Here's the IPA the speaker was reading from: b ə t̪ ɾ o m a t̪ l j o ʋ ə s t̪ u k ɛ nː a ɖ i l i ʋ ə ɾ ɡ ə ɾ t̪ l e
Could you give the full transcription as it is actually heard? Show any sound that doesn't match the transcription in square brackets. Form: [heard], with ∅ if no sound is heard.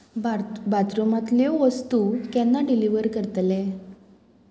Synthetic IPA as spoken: b [a] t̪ ɾ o m a t̪ l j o ʋ ə s t̪ u k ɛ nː a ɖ i l i ʋ ə ɾ [k] ə ɾ t̪ l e